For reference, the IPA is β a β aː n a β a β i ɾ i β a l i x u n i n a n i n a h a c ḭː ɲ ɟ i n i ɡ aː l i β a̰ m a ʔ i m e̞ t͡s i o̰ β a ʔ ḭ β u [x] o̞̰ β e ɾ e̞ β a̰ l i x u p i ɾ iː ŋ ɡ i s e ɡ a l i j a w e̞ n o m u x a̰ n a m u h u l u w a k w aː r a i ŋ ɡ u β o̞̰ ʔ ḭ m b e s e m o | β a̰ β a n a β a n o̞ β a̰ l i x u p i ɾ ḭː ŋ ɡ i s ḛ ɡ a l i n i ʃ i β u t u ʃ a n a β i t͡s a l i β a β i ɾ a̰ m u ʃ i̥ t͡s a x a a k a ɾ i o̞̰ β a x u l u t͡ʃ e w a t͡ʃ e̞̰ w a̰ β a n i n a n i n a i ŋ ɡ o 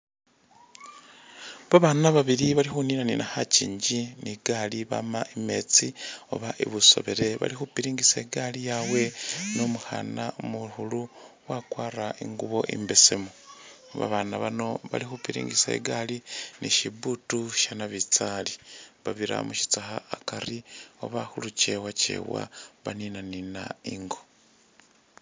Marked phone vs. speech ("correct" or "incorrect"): incorrect